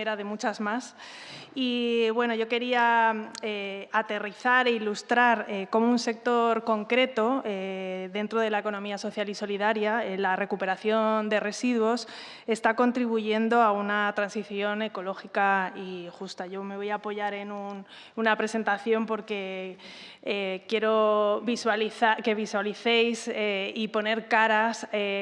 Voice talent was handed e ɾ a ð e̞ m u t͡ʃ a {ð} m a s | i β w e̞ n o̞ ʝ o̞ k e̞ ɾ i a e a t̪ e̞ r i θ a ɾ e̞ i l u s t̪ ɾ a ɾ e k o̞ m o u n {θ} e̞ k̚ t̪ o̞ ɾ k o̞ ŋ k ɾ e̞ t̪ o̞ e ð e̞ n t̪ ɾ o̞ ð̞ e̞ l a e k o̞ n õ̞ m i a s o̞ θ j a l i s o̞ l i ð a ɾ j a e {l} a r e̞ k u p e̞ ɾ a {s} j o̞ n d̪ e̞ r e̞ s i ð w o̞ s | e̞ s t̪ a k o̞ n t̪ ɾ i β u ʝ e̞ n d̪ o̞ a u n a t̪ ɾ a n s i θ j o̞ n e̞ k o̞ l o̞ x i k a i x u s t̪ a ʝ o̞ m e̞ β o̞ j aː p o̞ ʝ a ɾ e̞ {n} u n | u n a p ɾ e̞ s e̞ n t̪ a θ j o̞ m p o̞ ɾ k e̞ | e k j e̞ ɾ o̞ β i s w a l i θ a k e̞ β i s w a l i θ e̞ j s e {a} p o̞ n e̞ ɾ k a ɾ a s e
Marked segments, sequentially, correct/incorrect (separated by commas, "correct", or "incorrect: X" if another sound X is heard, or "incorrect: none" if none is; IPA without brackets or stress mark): incorrect: z, incorrect: s, correct, incorrect: θ, correct, incorrect: i